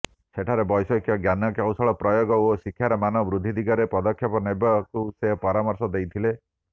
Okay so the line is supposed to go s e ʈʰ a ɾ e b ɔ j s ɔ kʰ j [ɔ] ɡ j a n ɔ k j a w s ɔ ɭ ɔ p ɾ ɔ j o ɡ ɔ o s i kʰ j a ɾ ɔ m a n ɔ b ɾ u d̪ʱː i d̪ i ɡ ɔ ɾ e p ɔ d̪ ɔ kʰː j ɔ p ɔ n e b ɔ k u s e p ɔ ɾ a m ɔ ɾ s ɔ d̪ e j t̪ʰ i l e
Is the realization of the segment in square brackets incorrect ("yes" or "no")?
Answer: no